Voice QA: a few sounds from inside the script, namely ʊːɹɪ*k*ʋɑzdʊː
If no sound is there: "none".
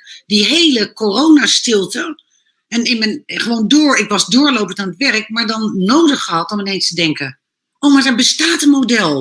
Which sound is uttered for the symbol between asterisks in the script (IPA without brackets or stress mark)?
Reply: k